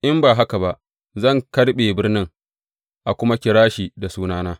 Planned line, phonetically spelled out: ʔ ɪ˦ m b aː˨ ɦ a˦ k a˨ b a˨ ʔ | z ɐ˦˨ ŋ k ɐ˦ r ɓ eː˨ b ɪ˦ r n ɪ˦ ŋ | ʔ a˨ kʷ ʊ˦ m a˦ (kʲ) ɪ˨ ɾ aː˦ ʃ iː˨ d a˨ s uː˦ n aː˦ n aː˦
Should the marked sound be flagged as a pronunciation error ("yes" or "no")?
no